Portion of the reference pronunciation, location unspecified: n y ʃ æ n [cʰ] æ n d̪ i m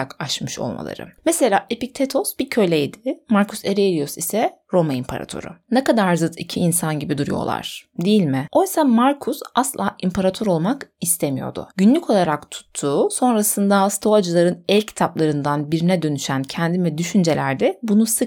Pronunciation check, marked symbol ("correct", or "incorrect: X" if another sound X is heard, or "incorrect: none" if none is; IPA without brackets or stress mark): correct